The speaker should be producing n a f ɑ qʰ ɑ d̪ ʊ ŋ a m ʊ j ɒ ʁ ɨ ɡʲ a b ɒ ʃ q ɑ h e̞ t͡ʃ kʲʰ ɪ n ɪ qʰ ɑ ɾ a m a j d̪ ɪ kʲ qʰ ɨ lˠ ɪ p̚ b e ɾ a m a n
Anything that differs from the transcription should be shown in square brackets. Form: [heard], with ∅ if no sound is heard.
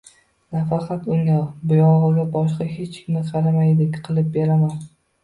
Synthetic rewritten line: n a f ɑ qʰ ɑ [t̪] ʊ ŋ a [b] ʊ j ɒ ʁ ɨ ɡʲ a b ɒ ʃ q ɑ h e̞ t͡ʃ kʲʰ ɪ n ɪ qʰ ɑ ɾ a m a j d̪ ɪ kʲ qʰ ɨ lˠ ɪ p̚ b e ɾ a m a n